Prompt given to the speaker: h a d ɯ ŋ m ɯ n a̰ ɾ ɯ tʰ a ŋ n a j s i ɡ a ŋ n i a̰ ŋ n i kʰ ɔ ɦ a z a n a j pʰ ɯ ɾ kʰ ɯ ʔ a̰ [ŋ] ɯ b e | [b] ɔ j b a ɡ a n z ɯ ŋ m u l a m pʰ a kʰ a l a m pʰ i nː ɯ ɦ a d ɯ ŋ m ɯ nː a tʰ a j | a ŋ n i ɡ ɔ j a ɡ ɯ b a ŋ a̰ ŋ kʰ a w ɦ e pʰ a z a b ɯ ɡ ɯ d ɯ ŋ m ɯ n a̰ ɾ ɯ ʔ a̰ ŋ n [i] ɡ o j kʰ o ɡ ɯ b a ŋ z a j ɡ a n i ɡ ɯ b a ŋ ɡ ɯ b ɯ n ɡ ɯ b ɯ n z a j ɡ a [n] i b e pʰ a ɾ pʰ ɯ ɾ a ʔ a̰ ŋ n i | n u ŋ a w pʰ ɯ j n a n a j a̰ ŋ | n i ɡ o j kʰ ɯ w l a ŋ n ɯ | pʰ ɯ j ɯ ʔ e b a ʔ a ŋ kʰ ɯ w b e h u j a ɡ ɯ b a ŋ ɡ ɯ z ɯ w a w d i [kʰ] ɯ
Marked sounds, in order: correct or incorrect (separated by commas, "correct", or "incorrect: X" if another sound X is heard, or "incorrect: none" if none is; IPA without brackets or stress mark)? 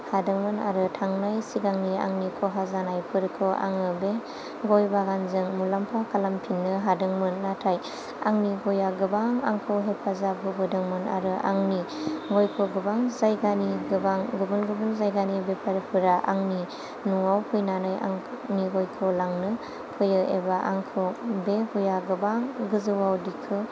correct, incorrect: ɡ, correct, correct, correct